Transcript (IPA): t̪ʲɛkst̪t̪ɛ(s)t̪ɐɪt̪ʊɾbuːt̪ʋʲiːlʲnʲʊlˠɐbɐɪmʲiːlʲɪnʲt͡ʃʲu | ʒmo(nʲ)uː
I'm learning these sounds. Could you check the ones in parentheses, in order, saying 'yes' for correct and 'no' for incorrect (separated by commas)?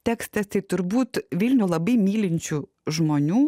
yes, yes